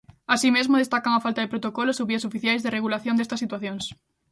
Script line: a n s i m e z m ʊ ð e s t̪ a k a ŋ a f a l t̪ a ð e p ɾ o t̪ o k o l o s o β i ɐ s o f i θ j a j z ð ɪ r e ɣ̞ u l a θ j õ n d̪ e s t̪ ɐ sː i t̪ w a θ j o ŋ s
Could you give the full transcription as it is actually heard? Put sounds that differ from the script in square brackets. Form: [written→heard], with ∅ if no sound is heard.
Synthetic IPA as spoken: a [n→∅] s i m e z m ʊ ð e s t̪ a k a ŋ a f a l t̪ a ð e p ɾ o t̪ o k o l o s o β i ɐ s o f i θ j a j z ð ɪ r e ɣ̞ u l a θ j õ n d̪ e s t̪ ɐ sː i t̪ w a θ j o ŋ s

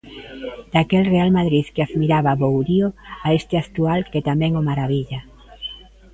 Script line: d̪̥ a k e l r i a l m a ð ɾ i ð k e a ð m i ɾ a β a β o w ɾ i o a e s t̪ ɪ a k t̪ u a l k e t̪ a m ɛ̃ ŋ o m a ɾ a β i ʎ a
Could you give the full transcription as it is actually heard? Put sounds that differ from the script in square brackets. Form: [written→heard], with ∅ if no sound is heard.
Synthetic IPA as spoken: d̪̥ a k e l r [i→e] a l m a ð ɾ i ð k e a ð m i ɾ a β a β o w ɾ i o a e s t̪ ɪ a k t̪ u a l k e t̪ a m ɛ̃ ŋ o m a ɾ a β i ʎ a

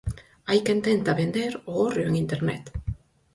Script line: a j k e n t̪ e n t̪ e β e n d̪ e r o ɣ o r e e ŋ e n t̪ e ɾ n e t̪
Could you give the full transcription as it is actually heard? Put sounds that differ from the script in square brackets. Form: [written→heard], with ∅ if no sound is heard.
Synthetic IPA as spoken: a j k e n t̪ e n t̪ [e→a] β e n d̪ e [r→ɾ] o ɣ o r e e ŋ [e→i] n t̪ e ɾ n e t̪

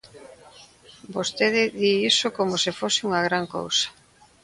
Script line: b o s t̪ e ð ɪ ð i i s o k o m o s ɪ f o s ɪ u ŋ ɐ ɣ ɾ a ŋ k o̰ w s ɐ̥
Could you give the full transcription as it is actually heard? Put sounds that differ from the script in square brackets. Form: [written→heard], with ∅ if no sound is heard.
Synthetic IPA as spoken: b o s t̪ e ð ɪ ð i i s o k o m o s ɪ f o s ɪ u ŋ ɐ ɣ ɾ a ŋ k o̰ w s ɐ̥

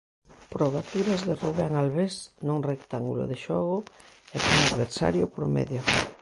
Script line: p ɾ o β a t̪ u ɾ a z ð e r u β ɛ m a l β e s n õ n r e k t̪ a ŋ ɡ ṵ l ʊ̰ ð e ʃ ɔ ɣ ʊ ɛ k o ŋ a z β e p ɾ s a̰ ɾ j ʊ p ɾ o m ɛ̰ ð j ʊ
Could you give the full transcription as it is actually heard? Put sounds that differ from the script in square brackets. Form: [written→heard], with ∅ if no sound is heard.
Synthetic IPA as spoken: p ɾ o β a t̪ u ɾ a z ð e r u β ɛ [m→ŋ] a l β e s n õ [n→ŋ] r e k t̪ a ŋ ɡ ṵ l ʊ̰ ð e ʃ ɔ ɣ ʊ ɛ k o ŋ a [z→ð] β e [p→∅] ɾ s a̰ ɾ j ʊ p ɾ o m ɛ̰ ð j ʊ

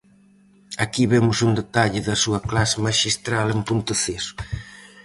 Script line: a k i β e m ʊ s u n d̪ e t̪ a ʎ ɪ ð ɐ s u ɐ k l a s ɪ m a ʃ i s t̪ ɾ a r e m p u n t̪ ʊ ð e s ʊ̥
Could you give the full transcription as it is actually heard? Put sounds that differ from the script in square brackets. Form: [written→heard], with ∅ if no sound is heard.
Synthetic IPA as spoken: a k i β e m ʊ s u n d̪ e t̪ a ʎ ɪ ð ɐ s u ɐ k l a s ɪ m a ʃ i s t̪ ɾ a [r→l] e m p u n t̪ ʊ [ð→θ] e s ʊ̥

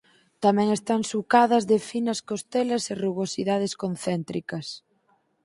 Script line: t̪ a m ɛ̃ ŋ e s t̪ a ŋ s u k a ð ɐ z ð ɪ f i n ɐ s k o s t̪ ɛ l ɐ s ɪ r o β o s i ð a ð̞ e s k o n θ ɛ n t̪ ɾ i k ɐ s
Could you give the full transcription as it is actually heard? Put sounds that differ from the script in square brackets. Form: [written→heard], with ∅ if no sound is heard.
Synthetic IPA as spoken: t̪ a m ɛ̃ ŋ e s t̪ a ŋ s u k a ð ɐ z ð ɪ f i n ɐ s k o s t̪ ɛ l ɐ s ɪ r [o→u] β o s i ð a ð̞ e s k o n θ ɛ n t̪ ɾ i k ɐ s

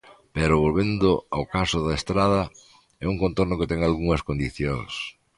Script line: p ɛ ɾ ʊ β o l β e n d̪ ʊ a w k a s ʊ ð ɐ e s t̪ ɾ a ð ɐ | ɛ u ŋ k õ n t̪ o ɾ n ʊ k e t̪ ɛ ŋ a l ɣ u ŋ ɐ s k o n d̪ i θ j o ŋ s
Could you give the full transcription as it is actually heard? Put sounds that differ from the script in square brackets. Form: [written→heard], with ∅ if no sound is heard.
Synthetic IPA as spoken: p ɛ ɾ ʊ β o l β e n d̪ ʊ a w k a s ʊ ð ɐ e s t̪ ɾ a ð ɐ | ɛ u ŋ k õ n t̪ o ɾ n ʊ k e t̪ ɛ ŋ a l ɣ u ŋ ɐ s k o n d̪ i θ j o ŋ s

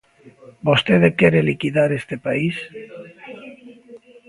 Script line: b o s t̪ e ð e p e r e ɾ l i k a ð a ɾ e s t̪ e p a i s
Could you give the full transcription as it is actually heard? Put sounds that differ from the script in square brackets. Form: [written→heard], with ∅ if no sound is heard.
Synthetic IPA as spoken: b o s t̪ e ð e [p→k] e [r→ɾ] e [ɾ→∅] l i k [a→i] ð a ɾ e s t̪ e p a i s

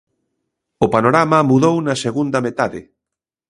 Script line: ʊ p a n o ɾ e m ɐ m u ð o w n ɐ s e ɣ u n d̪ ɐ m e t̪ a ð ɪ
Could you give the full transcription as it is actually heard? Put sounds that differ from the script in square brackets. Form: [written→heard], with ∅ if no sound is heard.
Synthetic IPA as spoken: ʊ p a n o ɾ [e→a] m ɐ m u ð o w n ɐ s e ɣ u n d̪ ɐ m e t̪ a ð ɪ

